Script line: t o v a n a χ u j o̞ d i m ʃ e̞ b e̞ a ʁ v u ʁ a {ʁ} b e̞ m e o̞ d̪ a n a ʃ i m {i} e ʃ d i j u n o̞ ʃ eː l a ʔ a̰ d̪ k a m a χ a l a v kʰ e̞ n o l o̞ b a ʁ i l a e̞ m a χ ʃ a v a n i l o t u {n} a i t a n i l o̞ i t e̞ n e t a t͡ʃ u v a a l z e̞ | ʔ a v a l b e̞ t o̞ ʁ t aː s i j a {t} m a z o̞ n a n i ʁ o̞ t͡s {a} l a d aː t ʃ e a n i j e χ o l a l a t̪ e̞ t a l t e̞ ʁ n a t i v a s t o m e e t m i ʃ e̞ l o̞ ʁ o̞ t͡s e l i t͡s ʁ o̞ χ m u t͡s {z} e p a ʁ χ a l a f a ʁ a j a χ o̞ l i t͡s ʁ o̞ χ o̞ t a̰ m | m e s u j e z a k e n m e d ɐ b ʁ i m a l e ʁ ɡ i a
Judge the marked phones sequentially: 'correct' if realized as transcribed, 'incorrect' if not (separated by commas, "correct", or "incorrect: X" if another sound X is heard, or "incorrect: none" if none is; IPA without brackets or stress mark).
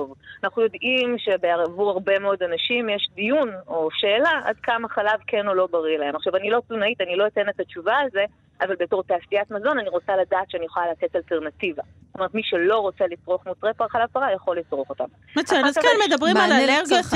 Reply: correct, incorrect: j, correct, correct, correct, incorrect: ʁ